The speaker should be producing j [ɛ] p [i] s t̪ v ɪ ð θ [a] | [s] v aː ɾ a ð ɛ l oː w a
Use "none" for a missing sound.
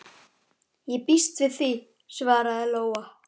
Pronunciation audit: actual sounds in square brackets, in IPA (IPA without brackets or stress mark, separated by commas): ɛ, i, i, s